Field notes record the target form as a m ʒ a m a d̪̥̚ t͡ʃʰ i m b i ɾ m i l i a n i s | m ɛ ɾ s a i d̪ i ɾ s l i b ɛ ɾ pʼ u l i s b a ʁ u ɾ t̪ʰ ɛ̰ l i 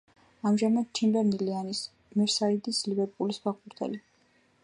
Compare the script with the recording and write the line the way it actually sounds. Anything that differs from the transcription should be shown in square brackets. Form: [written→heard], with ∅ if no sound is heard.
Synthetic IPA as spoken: a m ʒ a m a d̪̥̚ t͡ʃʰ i m b [i→ɛ] ɾ [m→n] i l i a n i s | m ɛ ɾ s a i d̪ i [ɾ→∅] s l i b ɛ ɾ pʼ u l i s b a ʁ u ɾ t̪ʰ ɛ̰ l i